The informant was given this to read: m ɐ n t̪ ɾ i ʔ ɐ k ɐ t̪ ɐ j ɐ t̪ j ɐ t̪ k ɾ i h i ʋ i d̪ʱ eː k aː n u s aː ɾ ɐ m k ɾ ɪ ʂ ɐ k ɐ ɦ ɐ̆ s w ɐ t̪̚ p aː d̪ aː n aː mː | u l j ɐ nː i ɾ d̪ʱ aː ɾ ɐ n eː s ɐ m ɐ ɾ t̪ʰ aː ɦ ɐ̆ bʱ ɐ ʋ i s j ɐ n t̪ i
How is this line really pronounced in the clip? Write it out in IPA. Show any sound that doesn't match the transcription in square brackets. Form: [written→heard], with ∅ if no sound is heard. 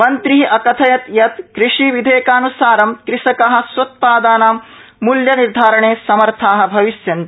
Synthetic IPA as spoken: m ɐ n t̪ ɾ i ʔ ɐ k ɐ [t̪→t̪ʰ] ɐ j ɐ t̪ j ɐ t̪ k ɾ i [h→ʂ] i ʋ i d̪ʱ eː k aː n u s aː ɾ ɐ m k ɾ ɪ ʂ ɐ k ɐ ɦ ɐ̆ s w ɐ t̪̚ p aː d̪ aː n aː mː | u l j ɐ [nː→n] i ɾ d̪ʱ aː ɾ ɐ [n→ɳ] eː s ɐ m ɐ ɾ t̪ʰ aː ɦ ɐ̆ bʱ ɐ ʋ i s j ɐ n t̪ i

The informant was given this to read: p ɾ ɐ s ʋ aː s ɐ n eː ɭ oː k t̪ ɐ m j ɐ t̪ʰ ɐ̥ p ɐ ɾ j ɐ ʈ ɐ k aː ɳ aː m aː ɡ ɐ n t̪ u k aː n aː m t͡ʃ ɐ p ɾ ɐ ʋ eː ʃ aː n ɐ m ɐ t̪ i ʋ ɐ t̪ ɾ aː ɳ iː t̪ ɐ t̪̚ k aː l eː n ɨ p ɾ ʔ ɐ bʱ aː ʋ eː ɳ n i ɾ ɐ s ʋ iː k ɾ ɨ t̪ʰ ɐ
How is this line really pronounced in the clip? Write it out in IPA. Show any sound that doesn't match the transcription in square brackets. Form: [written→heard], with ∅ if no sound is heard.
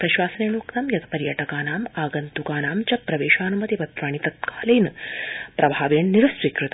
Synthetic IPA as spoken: p ɾ ɐ [s→ʃ] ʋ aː s ɐ n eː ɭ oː k t̪ ɐ m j ɐ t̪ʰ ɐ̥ p ɐ ɾ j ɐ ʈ ɐ k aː [ɳ→n] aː m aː ɡ ɐ n t̪ u k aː n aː m t͡ʃ ɐ p ɾ ɐ ʋ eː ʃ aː n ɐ m ɐ t̪ i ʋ ɐ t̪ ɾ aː ɳ [iː→i] t̪ ɐ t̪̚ k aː l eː n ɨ p ɾ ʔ ɐ bʱ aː ʋ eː ɳ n i ɾ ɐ s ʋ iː k ɾ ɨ [t̪ʰ→t̪] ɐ

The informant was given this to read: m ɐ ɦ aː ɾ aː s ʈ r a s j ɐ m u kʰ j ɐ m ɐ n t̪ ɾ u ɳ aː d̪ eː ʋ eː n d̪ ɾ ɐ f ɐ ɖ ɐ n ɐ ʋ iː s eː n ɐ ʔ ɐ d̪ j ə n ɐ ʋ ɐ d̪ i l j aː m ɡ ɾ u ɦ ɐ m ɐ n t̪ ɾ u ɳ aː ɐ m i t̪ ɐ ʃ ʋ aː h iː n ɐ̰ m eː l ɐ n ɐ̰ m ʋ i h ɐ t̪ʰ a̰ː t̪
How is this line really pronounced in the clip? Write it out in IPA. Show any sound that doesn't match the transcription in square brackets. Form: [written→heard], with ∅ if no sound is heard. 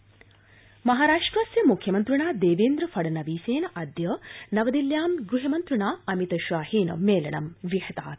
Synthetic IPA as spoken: m ɐ ɦ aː ɾ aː [s→ʂ] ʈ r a s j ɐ m u kʰ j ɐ m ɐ n t̪ ɾ u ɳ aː d̪ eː ʋ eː n d̪ ɾ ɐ f ɐ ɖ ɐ n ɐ ʋ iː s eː n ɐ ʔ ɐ d̪ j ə n ɐ ʋ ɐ d̪ i l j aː m ɡ ɾ u ɦ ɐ m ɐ n t̪ ɾ u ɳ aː ɐ m i t̪ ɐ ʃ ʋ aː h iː n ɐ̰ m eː l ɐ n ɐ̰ m ʋ i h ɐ [t̪ʰ→t̪] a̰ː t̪

